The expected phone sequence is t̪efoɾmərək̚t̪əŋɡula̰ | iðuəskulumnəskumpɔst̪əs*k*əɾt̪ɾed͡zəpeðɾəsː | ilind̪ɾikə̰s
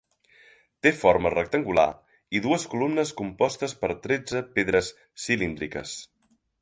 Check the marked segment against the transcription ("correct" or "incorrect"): incorrect